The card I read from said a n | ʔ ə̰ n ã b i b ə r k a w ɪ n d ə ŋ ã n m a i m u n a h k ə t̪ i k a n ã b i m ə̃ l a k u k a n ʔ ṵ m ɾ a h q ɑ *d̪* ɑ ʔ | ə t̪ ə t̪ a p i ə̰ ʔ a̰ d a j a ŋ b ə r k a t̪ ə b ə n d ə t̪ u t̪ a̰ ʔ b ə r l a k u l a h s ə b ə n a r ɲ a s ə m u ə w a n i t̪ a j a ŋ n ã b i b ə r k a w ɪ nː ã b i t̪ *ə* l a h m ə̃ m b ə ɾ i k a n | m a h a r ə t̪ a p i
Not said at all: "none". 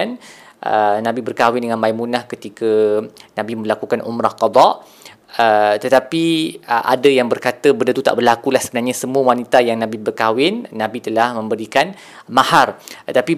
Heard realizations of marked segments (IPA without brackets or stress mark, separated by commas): d̪, ə